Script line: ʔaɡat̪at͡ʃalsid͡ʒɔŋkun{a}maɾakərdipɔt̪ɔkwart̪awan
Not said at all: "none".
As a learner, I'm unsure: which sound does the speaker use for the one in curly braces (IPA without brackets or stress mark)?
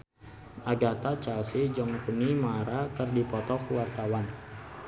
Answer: i